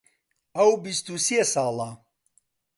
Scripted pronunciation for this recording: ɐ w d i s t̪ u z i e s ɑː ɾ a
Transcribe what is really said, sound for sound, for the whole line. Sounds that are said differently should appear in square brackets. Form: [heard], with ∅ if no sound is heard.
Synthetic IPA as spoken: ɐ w [b] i s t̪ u [s] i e s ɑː [l] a